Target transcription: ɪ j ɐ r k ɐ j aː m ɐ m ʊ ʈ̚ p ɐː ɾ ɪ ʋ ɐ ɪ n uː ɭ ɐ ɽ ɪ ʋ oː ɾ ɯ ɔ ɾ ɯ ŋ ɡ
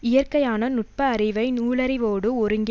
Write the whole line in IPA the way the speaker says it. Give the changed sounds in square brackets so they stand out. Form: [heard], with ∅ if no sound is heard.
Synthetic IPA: ɪ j ɐ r k ɐ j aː [n] ɐ [n] ʊ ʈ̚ p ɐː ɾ ɪ ʋ ɐ ɪ n uː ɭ ɐ [ɾ] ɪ ʋ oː [ɽ] ɯ ɔ ɾ ɯ ŋ ɡ